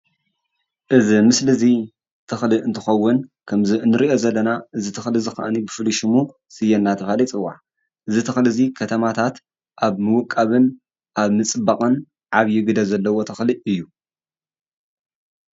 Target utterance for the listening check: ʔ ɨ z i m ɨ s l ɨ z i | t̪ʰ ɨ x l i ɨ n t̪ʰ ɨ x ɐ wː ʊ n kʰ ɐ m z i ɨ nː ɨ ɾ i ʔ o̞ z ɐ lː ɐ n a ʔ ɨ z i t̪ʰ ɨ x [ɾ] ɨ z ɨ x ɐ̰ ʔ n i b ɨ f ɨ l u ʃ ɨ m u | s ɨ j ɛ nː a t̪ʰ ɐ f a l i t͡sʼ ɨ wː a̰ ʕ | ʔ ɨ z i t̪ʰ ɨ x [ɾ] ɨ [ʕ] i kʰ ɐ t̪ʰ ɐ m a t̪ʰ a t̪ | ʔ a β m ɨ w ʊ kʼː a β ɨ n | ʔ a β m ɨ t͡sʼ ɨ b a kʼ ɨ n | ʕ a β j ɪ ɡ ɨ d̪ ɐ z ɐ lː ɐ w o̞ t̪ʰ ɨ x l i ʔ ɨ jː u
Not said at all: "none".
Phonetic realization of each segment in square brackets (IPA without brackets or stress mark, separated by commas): l, l, z